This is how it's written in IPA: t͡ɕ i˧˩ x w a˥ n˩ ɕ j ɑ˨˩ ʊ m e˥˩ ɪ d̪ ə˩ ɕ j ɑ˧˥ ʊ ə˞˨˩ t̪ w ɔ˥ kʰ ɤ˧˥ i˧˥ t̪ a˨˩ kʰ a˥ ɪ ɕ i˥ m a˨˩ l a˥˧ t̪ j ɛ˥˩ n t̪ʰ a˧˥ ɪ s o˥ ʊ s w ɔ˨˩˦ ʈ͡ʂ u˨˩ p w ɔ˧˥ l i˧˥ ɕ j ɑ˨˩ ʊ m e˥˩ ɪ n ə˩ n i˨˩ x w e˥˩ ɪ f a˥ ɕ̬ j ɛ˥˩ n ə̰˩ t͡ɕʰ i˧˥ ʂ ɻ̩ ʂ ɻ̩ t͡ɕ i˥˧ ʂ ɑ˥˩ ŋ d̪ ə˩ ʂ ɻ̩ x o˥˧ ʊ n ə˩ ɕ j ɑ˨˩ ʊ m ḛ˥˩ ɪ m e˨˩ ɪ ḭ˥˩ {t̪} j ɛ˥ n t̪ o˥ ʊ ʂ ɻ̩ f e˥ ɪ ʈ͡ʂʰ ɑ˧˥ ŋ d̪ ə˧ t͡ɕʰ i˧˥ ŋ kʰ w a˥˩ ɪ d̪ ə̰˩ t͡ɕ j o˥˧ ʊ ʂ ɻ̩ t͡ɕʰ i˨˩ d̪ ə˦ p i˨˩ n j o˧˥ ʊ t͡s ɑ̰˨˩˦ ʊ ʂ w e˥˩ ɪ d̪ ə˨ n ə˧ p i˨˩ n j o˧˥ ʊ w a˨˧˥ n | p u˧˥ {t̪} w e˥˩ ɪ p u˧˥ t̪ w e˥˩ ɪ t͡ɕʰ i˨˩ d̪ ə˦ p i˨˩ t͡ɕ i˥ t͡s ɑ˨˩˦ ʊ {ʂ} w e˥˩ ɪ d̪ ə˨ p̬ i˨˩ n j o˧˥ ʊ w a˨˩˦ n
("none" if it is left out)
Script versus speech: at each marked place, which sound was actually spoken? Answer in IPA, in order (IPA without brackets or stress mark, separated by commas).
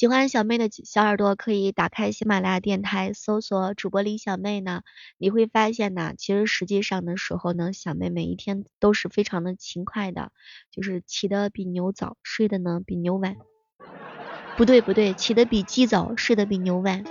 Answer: t̪ʰ, t̪, ʂ